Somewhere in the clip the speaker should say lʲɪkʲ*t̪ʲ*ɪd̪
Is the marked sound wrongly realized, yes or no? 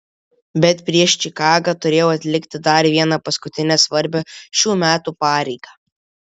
no